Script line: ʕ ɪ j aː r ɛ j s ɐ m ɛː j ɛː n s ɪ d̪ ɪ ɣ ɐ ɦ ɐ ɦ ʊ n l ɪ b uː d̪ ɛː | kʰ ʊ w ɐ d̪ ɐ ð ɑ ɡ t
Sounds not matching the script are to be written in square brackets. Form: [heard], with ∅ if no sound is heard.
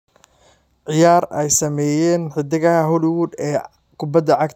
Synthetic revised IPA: ʕ ɪ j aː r ɛ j s ɐ m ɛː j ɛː n [ħ] ɪ d̪ ɪ ɣ ɐ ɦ ɐ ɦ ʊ [∅] l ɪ [w] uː d̪ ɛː | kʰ ʊ [b] ɐ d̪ ɐ [ʕ] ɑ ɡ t